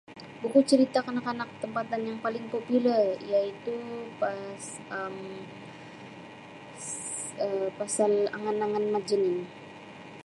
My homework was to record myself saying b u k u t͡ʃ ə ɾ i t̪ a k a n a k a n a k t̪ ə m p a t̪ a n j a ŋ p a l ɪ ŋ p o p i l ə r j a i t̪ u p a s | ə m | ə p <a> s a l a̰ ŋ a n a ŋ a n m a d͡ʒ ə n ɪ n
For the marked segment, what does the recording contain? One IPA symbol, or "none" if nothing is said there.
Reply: a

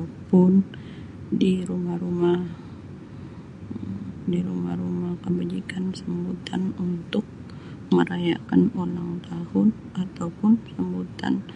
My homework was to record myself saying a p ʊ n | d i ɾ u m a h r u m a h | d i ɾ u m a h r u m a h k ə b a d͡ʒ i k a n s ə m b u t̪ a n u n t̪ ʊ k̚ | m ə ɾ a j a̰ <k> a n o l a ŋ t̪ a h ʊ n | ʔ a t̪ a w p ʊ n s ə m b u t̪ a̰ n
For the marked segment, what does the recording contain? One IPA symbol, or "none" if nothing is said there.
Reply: k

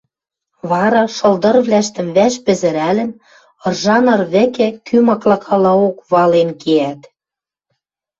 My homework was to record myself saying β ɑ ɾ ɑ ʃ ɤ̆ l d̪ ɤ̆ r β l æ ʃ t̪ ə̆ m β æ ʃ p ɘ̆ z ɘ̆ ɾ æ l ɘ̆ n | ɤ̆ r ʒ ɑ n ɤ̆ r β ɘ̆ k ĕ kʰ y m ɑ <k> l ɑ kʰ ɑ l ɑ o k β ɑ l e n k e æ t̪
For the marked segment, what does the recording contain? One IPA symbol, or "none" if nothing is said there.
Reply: k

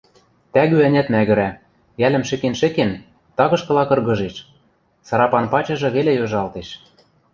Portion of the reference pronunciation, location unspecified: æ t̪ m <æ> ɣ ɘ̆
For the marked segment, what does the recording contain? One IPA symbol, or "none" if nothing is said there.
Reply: æ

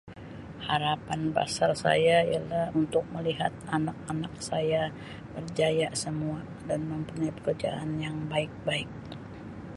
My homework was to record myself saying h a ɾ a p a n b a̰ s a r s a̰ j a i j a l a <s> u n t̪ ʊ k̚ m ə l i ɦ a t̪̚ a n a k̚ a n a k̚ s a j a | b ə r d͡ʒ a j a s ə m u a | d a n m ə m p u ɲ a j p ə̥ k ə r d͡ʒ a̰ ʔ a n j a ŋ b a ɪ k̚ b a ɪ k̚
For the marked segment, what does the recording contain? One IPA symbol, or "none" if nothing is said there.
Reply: h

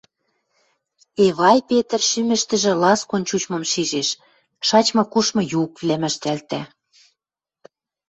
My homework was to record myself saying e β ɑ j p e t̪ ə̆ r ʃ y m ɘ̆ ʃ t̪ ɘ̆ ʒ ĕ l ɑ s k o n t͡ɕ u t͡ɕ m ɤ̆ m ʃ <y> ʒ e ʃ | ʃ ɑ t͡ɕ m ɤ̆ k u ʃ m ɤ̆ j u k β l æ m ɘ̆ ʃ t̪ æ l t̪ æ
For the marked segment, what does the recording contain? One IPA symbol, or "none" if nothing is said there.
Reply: i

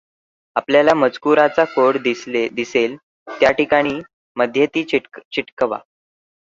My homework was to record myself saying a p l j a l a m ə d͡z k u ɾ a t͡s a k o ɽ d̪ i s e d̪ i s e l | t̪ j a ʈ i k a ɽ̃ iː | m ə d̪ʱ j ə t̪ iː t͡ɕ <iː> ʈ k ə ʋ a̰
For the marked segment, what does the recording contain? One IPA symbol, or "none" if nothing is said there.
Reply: i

